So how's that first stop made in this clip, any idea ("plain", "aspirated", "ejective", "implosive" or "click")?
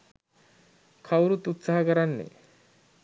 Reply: aspirated